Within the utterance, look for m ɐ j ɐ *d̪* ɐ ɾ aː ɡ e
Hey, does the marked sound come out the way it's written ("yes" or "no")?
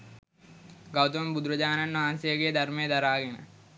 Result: yes